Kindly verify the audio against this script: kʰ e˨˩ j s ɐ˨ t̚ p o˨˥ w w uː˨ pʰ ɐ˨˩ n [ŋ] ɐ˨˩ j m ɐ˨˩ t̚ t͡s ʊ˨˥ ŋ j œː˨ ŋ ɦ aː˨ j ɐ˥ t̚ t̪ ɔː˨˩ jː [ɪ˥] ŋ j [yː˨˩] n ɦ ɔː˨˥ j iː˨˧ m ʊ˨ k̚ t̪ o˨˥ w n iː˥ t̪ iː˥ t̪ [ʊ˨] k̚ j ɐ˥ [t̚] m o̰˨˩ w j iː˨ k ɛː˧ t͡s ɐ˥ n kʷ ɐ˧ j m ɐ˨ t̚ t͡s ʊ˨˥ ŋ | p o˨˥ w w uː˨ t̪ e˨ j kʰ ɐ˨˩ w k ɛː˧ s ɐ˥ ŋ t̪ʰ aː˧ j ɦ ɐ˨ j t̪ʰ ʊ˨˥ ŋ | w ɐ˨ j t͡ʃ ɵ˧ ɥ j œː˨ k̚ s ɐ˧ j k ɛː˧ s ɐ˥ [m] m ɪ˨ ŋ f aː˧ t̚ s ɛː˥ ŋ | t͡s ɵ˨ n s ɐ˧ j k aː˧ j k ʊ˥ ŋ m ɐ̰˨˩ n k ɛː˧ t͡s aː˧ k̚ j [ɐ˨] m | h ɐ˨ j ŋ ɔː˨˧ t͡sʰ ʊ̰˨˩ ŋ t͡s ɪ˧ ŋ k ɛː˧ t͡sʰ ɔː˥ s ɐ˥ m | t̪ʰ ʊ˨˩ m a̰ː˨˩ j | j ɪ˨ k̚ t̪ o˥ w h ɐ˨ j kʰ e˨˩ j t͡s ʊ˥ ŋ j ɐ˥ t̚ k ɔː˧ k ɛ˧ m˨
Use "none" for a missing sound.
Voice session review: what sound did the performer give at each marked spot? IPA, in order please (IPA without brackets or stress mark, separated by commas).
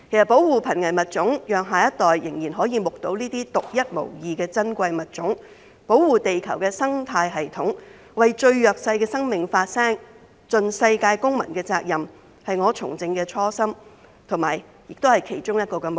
ŋ, ɪ˨˩, iː˨˩, ʊ˨, t̚, ŋ, ɐ˨